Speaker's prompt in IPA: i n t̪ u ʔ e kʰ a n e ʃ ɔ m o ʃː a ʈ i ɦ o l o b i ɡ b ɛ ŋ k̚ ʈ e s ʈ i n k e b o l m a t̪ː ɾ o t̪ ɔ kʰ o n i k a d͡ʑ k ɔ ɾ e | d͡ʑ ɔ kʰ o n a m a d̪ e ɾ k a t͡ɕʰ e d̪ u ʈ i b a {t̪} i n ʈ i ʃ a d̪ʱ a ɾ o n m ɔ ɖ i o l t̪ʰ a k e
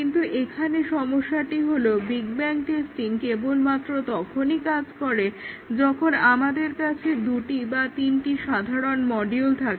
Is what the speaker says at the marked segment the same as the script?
yes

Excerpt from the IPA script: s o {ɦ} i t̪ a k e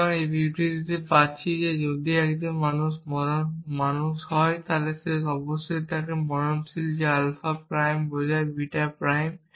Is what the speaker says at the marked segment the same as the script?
no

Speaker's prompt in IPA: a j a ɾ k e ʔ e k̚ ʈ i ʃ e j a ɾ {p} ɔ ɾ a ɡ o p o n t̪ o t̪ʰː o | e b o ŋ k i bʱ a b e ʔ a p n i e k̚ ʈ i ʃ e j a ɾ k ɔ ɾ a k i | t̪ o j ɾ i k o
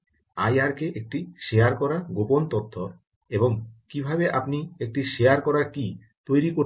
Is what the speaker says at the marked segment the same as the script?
no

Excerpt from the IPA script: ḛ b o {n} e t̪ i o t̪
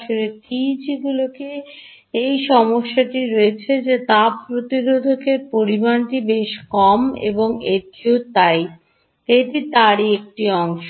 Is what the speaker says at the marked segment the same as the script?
no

